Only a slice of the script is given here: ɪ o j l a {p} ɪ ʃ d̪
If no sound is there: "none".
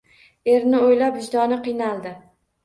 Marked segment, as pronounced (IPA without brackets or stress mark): p